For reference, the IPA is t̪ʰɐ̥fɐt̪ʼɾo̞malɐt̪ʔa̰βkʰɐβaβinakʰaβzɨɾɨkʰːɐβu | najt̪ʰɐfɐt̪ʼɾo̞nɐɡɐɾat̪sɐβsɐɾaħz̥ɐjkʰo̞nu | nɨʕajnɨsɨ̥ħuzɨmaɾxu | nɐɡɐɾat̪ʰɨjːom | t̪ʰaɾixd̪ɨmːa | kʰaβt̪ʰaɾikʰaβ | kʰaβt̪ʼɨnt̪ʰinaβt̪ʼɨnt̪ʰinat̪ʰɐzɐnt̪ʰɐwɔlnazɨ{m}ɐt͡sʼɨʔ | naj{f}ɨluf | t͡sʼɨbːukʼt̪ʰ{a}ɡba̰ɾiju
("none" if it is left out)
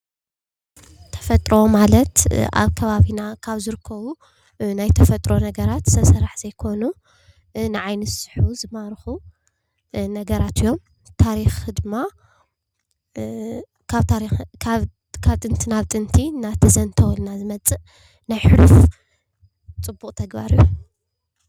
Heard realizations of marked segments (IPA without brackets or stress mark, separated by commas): m, ħ, ɐ